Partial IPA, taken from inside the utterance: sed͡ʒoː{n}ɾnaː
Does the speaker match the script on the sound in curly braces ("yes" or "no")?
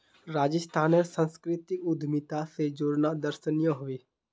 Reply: no